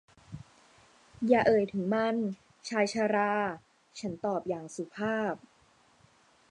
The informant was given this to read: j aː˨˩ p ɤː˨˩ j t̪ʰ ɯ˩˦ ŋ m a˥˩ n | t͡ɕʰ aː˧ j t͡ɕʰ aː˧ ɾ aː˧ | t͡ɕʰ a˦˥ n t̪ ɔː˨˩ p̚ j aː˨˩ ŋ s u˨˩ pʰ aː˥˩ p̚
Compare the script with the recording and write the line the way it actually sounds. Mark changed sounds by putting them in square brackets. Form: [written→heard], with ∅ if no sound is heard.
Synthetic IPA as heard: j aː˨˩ [p→ʔ] ɤː˨˩ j t̪ʰ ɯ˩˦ ŋ m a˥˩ n | t͡ɕʰ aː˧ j t͡ɕʰ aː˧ ɾ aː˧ | t͡ɕʰ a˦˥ n t̪ ɔː˨˩ p̚ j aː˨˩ ŋ s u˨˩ pʰ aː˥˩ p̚